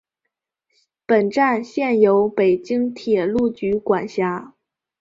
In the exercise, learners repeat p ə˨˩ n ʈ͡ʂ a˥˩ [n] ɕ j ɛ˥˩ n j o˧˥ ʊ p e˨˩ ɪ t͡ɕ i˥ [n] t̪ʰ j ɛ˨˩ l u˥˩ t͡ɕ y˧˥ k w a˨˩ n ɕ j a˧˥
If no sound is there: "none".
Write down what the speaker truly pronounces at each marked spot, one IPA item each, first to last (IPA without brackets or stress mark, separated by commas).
n, ŋ